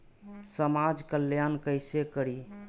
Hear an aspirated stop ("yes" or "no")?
no